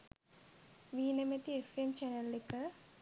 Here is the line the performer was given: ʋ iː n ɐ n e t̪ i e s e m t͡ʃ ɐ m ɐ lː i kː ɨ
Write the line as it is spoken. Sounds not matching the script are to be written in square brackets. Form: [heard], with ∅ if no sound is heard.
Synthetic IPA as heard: ʋ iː n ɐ [m] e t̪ i e [f] e m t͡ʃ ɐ [n] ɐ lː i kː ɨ